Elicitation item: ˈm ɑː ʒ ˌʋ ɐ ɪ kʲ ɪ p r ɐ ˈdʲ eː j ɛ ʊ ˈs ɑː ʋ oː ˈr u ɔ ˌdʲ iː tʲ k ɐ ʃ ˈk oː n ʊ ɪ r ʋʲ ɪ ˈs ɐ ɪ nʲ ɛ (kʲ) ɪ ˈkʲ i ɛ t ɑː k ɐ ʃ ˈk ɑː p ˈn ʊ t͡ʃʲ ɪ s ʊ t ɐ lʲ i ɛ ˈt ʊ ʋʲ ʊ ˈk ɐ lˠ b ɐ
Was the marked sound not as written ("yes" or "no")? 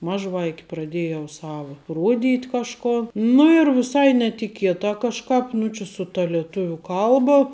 yes